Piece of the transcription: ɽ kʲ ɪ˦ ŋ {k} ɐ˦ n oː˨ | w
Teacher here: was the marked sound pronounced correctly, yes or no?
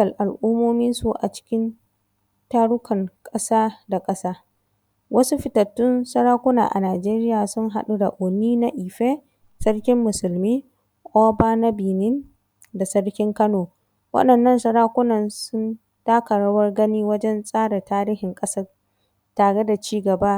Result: yes